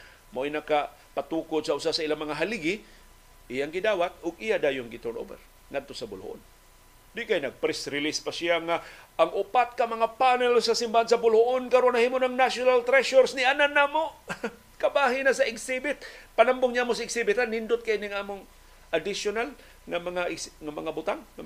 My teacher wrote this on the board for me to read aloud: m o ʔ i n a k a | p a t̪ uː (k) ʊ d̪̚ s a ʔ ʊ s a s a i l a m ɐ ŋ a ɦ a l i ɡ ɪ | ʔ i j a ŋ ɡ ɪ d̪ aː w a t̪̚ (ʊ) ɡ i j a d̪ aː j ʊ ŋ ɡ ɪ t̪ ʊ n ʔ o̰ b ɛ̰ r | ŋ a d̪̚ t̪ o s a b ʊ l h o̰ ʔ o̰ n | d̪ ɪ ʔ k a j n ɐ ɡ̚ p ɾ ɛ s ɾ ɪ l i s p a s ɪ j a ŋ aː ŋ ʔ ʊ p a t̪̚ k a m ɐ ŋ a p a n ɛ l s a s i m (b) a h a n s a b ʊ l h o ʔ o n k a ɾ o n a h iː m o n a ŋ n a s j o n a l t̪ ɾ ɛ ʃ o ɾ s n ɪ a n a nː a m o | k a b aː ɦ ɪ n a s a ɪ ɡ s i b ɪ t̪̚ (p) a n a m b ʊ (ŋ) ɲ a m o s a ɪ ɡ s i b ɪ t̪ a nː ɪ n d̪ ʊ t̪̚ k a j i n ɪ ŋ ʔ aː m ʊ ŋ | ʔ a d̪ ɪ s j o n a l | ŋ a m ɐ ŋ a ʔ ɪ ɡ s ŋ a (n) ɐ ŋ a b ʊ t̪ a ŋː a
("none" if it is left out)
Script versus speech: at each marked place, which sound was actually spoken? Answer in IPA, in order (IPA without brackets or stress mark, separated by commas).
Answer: k, ʊ, b, p, ŋ, m